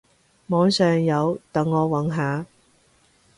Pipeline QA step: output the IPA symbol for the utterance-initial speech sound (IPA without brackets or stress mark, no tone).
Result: m